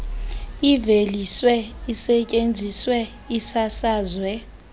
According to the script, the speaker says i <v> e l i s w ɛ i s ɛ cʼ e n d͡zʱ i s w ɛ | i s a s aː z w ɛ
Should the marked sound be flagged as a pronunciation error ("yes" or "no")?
no